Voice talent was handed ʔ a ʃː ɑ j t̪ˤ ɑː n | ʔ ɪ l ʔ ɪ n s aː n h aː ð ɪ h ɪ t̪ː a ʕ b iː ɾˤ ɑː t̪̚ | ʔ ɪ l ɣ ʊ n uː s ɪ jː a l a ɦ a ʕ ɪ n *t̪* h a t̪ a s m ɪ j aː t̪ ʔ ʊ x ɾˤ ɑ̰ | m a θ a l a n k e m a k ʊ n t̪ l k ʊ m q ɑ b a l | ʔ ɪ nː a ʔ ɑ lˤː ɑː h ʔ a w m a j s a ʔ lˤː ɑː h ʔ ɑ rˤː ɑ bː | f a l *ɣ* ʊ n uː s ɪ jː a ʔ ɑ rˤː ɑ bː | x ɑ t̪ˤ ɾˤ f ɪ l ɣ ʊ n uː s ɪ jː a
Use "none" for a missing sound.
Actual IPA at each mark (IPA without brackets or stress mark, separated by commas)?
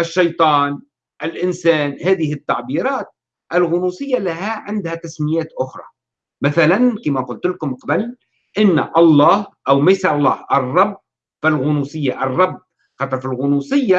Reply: d̪, ɣ